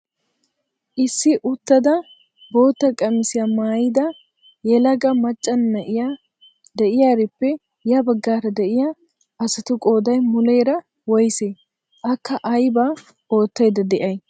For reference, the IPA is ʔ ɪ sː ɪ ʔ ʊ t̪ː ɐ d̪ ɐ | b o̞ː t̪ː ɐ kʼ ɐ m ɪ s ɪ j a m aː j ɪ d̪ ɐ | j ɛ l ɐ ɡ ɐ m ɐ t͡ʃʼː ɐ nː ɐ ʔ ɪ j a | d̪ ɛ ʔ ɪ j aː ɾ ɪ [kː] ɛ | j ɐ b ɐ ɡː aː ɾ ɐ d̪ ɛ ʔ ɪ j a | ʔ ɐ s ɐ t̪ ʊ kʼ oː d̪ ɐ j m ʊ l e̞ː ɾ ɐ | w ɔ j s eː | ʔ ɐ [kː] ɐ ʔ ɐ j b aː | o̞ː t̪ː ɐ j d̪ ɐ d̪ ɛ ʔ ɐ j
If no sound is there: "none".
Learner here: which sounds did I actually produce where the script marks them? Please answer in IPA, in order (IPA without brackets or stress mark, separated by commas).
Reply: pː, kː